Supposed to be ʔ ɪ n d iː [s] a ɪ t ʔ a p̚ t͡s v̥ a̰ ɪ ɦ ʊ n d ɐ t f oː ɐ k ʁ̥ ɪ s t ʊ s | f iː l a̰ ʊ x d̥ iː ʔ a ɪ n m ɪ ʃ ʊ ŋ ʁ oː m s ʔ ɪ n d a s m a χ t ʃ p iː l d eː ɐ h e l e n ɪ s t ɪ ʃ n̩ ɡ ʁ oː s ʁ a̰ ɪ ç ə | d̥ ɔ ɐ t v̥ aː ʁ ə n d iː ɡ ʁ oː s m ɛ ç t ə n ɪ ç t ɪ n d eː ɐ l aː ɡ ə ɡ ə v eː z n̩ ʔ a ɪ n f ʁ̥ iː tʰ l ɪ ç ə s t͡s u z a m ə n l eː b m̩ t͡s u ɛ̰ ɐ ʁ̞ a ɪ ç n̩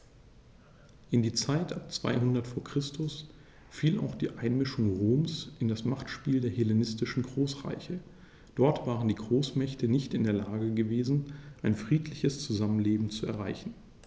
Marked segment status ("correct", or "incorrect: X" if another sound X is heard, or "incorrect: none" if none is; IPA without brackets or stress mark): incorrect: t͡s